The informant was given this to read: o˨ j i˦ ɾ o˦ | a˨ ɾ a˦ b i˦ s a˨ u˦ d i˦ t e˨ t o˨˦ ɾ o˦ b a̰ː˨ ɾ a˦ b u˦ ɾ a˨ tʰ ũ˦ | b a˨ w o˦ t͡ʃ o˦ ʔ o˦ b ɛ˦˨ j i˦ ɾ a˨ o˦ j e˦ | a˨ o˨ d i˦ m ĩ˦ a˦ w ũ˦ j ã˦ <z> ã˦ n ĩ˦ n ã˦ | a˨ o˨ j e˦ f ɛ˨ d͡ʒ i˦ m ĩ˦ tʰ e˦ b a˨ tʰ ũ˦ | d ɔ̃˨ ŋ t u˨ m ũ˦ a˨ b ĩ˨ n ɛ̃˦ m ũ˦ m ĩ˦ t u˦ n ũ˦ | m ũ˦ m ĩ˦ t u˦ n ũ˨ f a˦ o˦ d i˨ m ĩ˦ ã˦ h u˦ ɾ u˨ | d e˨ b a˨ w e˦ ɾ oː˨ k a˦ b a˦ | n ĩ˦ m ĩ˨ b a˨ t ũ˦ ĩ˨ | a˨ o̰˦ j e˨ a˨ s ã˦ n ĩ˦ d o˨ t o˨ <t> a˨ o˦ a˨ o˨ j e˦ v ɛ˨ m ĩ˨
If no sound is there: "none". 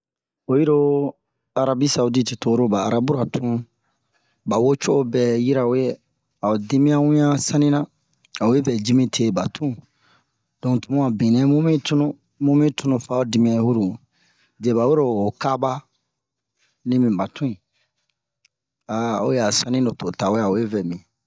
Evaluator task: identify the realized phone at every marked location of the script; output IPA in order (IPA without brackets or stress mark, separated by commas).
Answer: s, t